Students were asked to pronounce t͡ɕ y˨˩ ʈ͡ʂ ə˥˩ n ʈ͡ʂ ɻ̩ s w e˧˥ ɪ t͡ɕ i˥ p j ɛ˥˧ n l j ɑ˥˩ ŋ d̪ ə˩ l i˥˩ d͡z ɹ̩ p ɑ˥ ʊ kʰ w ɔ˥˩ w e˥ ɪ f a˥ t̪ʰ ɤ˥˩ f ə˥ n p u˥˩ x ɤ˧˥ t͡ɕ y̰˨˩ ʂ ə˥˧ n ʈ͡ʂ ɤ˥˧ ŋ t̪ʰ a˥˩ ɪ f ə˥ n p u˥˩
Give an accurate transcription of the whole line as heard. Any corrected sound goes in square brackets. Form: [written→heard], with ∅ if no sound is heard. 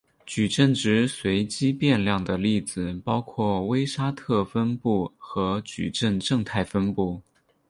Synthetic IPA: t͡ɕ y˨˩ ʈ͡ʂ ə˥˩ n ʈ͡ʂ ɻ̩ s w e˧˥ ɪ t͡ɕ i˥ p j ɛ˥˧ n l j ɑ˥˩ ŋ d̪ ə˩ l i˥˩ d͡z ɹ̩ p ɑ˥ ʊ kʰ w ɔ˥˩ w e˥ ɪ [f→ʂ] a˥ t̪ʰ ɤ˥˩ f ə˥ n p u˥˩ x ɤ˧˥ t͡ɕ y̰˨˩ [ʂ→ʈ͡ʂ] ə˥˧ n ʈ͡ʂ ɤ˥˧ ŋ t̪ʰ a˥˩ ɪ f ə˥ n p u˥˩